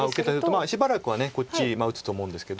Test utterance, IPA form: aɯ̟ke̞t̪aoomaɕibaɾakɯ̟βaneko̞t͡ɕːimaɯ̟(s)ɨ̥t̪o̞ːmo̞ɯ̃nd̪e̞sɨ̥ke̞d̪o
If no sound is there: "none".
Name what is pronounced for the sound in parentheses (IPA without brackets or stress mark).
t͡s